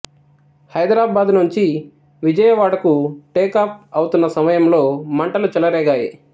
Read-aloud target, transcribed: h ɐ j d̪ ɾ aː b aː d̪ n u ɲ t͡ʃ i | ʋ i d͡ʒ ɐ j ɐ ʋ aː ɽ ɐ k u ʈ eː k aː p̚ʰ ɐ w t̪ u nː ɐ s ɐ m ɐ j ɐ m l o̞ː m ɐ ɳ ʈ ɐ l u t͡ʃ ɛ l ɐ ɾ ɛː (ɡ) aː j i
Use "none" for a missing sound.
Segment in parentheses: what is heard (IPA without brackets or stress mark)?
ɡ